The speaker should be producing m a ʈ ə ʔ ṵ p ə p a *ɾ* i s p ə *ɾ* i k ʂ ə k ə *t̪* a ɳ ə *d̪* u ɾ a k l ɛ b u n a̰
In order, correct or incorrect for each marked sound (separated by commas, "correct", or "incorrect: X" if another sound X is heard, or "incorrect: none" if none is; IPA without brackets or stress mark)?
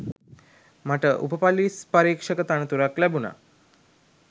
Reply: incorrect: l, correct, correct, incorrect: t̪